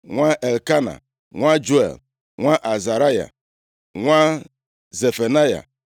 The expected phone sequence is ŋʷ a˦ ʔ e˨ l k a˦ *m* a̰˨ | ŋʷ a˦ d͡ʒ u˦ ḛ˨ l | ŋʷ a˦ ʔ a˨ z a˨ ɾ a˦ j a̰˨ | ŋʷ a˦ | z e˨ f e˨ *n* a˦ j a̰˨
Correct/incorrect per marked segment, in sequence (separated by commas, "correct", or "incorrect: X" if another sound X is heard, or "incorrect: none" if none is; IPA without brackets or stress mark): incorrect: n, correct